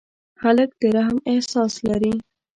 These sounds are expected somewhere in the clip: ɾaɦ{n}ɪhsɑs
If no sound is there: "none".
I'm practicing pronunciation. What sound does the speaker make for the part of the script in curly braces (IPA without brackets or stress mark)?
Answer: m